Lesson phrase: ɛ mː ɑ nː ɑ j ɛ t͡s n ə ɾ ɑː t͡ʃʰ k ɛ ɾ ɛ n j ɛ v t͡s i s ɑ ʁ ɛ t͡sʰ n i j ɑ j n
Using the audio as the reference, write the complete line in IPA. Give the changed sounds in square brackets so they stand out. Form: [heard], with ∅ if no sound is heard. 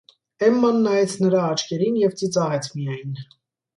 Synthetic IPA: ɛ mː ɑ nː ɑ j ɛ [t͡sʰ] n ə ɾ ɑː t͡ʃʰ k ɛ ɾ [i] n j ɛ v t͡s i [t͡s] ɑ ʁ ɛ t͡sʰ [m] i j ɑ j n